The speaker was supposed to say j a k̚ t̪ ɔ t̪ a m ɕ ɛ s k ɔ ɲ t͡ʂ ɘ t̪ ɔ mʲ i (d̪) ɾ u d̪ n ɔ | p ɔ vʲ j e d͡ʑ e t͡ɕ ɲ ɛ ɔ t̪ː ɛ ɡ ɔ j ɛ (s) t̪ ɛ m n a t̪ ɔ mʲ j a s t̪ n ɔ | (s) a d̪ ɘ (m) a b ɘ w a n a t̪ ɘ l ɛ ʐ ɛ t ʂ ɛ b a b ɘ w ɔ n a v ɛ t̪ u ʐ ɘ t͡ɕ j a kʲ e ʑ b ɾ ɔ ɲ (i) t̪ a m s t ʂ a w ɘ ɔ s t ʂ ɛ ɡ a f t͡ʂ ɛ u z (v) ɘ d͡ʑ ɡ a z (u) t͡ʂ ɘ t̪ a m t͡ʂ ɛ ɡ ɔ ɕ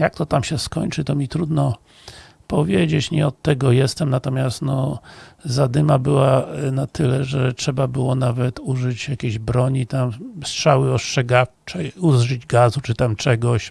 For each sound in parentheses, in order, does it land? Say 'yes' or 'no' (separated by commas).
no, yes, no, yes, yes, no, yes